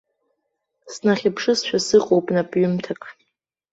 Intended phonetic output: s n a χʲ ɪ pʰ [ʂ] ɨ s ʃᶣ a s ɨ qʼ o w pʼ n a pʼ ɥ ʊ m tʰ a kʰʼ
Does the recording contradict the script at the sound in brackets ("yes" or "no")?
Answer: no